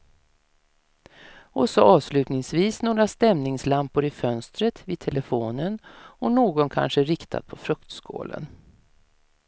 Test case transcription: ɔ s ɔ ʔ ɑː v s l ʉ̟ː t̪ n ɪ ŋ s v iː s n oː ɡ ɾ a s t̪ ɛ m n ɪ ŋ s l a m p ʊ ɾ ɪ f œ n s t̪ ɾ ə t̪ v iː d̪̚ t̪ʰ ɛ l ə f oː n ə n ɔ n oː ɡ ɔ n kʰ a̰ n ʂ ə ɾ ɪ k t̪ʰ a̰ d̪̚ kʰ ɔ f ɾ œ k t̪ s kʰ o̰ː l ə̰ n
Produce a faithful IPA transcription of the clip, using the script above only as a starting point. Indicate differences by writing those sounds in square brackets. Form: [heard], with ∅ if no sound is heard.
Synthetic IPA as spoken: ɔ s ɔ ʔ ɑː v s l ʉ̟ː t̪ n ɪ ŋ s v iː s n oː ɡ ɾ a s t̪ ɛ m n ɪ ŋ s l a m p ʊ ɾ ɪ f œ n s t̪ ɾ ə t̪ v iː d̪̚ t̪ʰ ɛ l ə f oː n ə n ɔ n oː ɡ ɔ n kʰ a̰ n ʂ ə ɾ ɪ k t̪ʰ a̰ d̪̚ [pʰ] ɔ f ɾ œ k t̪ s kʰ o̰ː l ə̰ n

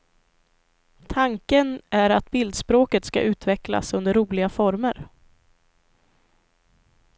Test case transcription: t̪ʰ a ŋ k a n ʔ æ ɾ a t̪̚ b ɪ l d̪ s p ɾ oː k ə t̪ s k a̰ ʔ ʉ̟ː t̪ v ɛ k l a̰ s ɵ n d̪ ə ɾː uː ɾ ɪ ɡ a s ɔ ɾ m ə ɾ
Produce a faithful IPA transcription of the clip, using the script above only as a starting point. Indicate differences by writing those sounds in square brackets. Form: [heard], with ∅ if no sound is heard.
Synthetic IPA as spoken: t̪ʰ a ŋ k [ə] n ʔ æ ɾ a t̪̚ b ɪ l d̪ s p ɾ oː k ə t̪ s k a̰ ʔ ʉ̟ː t̪ v ɛ k l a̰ s ɵ n d̪ ə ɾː uː [l] ɪ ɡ a [f] ɔ ɾ m ə ɾ

